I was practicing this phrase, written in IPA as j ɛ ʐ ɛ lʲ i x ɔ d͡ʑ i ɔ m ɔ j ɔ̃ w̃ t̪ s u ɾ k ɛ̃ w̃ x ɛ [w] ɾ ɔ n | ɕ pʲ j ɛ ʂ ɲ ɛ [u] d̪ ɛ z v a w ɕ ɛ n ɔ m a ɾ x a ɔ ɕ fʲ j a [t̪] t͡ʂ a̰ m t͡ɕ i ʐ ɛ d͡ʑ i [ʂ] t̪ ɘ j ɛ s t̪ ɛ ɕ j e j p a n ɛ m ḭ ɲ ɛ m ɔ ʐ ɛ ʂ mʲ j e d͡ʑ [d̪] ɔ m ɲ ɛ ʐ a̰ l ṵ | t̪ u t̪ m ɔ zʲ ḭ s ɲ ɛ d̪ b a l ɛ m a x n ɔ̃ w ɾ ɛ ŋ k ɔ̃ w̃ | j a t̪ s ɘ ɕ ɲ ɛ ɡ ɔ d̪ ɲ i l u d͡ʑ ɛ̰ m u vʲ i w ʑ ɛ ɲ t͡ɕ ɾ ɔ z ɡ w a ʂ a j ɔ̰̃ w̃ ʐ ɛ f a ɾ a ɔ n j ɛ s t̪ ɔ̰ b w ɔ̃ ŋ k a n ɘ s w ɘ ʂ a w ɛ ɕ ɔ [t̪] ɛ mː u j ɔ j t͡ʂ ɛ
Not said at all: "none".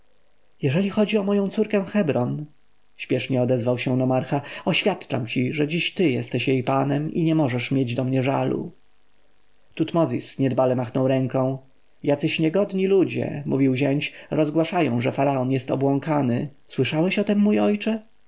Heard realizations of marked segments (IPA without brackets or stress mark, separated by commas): b, ɔ, t̪, ɕ, d̪, t̪